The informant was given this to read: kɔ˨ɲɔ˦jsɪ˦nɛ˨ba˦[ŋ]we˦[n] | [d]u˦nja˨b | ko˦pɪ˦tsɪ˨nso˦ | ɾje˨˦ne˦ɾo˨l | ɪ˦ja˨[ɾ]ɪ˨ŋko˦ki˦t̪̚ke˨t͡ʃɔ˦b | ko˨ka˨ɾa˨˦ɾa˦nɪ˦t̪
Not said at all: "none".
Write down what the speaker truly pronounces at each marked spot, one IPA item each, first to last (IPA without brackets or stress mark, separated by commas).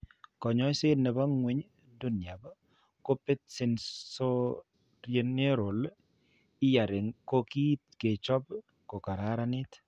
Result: ŋ, ɲ, d, ɾ